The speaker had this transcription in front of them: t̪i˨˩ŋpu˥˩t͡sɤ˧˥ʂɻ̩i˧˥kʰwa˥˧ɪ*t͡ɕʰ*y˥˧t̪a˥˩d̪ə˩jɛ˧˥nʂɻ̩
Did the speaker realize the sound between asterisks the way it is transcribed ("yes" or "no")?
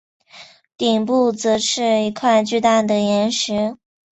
no